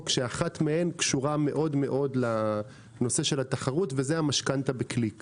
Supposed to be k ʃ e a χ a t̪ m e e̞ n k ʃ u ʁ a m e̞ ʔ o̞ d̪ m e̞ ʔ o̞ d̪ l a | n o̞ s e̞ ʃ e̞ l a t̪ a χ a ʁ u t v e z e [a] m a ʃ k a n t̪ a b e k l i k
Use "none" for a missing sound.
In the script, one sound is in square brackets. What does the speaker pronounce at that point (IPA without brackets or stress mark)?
a